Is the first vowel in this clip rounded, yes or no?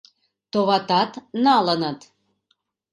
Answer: yes